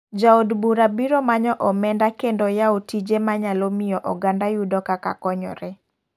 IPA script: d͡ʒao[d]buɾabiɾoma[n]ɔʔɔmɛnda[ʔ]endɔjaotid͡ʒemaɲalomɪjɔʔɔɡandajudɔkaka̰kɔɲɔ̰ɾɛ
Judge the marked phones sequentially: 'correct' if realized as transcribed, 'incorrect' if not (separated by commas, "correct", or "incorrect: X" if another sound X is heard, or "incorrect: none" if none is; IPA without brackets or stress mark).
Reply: correct, incorrect: ɲ, incorrect: k